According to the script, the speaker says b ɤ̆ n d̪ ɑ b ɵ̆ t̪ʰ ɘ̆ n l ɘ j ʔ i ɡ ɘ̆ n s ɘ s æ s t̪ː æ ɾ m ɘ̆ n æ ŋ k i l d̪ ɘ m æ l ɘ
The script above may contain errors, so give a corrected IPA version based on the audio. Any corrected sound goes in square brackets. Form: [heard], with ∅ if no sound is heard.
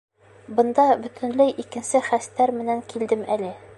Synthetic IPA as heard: b ɤ̆ n d̪ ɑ b ɵ̆ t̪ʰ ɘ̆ n l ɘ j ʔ i [k] ɘ̆ n s ɘ [χ] æ s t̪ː æ ɾ m ɘ̆ n æ ŋ k i l d̪ ɘ m æ l ɘ